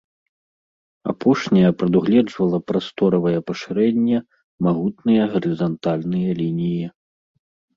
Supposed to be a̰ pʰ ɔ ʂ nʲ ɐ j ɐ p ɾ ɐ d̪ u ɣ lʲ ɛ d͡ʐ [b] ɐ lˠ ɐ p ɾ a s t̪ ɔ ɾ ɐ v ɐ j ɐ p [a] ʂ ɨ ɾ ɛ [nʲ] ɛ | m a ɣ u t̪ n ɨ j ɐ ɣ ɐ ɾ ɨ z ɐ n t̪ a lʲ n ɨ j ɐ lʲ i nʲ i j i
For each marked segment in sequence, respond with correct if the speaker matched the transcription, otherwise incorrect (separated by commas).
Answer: incorrect, incorrect, incorrect